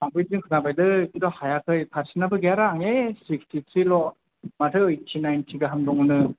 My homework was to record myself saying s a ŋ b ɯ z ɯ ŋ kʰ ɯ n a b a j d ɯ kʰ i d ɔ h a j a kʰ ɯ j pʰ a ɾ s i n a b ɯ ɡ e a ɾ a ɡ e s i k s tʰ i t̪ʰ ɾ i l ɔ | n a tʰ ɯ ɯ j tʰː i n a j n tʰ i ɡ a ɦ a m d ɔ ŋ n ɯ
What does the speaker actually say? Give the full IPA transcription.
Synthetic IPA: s a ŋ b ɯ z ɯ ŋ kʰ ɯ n a b a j d ɯ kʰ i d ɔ h a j a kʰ ɯ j pʰ a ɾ s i n a b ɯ ɡ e a ɾ a ŋ e s i k s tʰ i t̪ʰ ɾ i l ɔ | m a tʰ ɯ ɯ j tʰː i n a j n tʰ i ɡ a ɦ a m d ɔ ŋ n ɯ

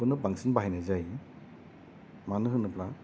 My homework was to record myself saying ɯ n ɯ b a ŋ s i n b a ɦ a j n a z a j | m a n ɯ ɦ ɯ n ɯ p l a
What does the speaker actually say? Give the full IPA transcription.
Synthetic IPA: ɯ n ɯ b a ŋ s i n b a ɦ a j n a z a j | m a n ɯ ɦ ɯ n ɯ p l a

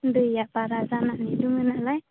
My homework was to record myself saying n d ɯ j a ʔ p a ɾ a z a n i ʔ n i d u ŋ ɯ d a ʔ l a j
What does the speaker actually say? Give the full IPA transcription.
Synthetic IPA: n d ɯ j a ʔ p a ɾ a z a n a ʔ n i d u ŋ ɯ n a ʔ l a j

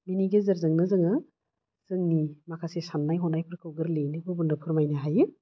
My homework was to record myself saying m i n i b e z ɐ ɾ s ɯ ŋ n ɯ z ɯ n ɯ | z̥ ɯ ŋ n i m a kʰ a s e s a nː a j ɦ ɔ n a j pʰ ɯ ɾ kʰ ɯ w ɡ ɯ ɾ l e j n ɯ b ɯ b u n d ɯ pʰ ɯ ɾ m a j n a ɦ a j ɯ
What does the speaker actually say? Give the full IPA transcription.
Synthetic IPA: m i n i ɡ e z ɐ ɾ z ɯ ŋ n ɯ z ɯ ŋ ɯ | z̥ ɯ ŋ n i m a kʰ a s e s a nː a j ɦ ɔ n a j pʰ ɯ ɾ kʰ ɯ w ɡ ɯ ɾ l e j n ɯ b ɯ b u n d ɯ pʰ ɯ ɾ m a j n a ɦ a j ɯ

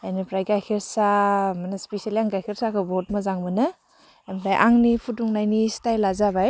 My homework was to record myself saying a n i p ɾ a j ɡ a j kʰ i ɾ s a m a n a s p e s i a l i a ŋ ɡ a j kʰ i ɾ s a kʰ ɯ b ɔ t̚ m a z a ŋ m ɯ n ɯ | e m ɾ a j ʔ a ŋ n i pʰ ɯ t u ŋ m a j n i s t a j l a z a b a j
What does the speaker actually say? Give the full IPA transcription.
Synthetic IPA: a n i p ɾ a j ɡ a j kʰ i ɾ s a m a n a s p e s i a l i a ŋ ɡ a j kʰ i ɾ s a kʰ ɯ b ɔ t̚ m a z a ŋ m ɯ n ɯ | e m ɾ a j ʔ a ŋ n i pʰ u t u ŋ n a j n i s t a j l a z a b a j

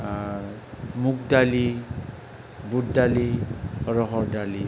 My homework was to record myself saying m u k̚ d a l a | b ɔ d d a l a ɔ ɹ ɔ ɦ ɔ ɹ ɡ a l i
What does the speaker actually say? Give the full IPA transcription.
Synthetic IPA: m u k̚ d a l i | b u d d a l i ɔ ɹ ɔ ɦ ɔ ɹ d a l i

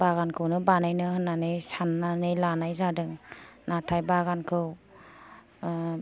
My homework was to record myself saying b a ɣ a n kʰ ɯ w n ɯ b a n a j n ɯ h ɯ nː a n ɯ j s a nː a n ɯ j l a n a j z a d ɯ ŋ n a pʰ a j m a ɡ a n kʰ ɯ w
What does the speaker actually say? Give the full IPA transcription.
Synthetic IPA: b a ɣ a n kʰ ɯ w n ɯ b a n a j n ɯ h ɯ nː a n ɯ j s a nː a n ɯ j l a n a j z a d ɯ ŋ n a tʰ a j b a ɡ a n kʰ ɯ w

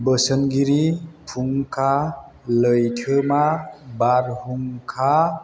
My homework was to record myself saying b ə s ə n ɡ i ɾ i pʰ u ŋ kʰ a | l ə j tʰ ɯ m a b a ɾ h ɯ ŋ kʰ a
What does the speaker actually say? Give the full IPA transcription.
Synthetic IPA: b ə s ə n ɡ i ɾ i pʰ u ŋ kʰ a | l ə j tʰ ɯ m a b a ɾ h u ŋ kʰ a

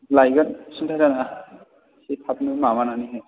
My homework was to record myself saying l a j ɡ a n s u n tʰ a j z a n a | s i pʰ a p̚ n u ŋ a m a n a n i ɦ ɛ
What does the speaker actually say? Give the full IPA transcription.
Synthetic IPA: l a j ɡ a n s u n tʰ a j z a n a | s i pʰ a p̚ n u m a m a n a n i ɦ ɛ

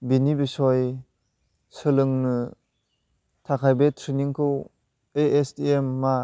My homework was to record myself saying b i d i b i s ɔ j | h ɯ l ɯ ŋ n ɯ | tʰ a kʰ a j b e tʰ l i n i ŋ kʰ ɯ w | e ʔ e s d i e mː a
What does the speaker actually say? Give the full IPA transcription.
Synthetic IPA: b i n i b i s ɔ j | s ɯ l ɯ ŋ n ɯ | tʰ a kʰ a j b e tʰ ɾ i n i ŋ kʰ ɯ w | e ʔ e s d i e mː a

